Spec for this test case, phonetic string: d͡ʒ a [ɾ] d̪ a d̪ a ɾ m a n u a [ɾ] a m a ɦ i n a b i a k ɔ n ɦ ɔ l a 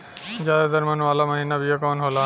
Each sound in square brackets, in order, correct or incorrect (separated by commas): incorrect, incorrect